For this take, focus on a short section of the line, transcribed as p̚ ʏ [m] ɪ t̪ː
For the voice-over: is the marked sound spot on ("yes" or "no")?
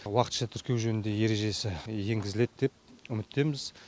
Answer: yes